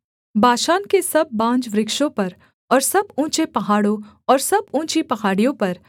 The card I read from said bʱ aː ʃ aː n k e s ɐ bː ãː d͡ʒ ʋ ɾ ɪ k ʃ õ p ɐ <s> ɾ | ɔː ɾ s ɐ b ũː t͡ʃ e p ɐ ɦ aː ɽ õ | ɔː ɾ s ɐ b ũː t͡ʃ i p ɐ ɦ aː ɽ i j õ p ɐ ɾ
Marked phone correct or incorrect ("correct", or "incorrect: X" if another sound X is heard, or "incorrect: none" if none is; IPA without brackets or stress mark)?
incorrect: none